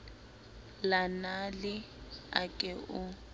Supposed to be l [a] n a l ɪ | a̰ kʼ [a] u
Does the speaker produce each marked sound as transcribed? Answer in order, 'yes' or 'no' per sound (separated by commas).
yes, no